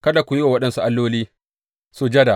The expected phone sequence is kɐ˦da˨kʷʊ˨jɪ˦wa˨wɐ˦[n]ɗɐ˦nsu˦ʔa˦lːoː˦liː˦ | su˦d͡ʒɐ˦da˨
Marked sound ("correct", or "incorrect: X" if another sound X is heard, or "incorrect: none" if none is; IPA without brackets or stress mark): incorrect: none